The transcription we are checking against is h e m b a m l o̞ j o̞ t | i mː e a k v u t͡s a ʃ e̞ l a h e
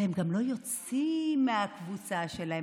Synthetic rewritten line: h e m ɡ a m l o̞ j o̞ t͡s | i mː e a k v u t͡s a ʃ e̞ l a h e